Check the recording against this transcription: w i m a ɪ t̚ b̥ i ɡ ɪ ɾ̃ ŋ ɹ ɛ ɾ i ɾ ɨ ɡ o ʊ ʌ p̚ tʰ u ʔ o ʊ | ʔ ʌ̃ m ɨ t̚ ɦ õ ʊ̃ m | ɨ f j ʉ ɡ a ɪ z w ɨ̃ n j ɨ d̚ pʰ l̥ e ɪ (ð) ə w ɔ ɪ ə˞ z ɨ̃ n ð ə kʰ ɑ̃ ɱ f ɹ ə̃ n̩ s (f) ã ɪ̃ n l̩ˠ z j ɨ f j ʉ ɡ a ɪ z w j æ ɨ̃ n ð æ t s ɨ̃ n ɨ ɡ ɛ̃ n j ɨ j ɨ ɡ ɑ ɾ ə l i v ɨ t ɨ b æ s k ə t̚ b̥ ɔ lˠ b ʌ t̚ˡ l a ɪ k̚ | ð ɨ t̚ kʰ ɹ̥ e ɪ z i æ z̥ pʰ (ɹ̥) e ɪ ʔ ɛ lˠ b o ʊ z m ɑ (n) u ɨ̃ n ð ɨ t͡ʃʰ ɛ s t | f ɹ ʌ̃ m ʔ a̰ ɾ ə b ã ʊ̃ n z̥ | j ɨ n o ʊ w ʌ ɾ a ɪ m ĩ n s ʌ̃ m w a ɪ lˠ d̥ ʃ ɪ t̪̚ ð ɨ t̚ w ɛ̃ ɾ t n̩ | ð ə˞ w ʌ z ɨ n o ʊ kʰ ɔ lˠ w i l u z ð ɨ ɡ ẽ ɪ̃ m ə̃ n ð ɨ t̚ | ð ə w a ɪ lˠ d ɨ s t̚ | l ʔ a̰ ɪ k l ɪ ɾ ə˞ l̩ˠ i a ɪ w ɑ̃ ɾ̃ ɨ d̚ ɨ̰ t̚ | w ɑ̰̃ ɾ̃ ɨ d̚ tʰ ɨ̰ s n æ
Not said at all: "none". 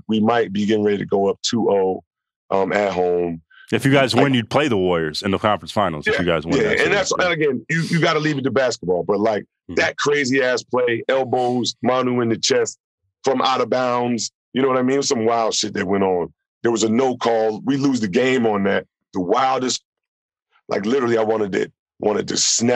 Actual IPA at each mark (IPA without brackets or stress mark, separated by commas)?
ð, f, l̥, n